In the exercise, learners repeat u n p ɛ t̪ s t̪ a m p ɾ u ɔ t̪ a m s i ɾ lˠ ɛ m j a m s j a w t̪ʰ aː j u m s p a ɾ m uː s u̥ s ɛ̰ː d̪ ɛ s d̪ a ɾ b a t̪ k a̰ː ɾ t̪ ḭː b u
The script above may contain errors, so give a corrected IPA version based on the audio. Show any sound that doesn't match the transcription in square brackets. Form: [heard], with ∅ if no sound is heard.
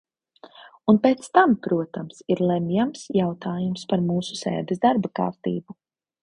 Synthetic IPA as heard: u n p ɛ t̪ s t̪ a m p ɾ u ɔ t̪ a m s i ɾ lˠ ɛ m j a m s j a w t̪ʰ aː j u m s p a ɾ m uː s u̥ s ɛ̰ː d̪ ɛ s d̪ a ɾ b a [∅] k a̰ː ɾ t̪ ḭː b u